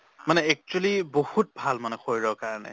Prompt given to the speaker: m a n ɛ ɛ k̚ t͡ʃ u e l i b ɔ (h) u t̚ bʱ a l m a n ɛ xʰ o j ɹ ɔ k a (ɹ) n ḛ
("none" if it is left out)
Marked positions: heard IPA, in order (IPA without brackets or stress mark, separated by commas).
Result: h, ɹ